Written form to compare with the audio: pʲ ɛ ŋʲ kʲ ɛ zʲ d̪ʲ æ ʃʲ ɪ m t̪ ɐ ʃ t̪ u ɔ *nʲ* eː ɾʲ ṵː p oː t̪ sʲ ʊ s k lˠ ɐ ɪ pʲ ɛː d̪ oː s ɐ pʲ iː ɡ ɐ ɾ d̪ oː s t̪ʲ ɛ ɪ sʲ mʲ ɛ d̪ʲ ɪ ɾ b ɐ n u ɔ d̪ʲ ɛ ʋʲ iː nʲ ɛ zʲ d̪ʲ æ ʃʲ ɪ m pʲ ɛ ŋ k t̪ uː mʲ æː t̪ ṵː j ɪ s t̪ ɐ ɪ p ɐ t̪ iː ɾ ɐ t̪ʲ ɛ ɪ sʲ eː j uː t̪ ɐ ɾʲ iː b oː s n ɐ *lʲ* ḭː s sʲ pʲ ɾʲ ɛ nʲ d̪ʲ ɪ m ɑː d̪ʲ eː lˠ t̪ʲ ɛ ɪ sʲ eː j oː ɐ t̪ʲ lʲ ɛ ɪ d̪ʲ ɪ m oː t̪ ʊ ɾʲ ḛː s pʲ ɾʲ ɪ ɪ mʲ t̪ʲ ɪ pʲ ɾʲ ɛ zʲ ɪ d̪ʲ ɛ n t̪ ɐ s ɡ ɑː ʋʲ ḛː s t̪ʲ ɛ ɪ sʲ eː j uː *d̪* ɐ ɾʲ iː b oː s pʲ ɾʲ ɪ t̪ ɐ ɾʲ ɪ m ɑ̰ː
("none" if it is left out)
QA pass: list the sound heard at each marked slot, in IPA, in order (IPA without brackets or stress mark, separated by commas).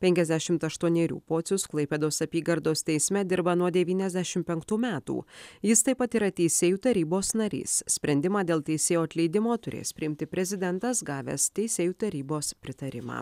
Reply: nʲ, ɾʲ, t̪